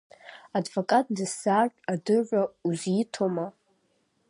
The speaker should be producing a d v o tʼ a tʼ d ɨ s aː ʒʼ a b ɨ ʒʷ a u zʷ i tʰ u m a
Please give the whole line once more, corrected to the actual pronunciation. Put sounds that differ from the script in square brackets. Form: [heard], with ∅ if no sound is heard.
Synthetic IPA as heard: a d v o [kʼ] a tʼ d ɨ s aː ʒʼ a [d] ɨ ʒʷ a u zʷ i tʰ [o] m a